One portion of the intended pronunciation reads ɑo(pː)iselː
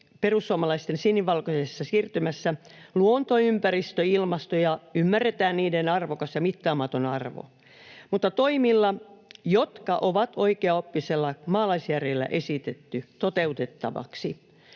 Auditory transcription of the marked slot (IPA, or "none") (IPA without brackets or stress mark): pː